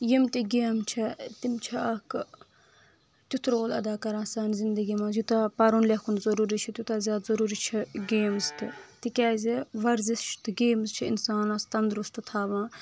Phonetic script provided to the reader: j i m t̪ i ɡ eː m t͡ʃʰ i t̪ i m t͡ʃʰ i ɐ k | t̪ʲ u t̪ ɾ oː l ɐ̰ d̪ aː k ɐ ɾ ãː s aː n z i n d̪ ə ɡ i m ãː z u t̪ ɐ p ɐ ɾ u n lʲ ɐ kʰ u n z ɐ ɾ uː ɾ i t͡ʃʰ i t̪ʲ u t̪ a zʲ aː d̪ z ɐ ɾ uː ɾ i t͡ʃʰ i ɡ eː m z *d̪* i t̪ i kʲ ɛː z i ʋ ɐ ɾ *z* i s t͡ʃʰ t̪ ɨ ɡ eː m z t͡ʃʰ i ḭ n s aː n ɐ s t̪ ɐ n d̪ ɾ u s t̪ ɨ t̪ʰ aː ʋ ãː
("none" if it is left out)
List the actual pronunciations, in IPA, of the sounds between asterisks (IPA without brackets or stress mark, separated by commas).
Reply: t̪, z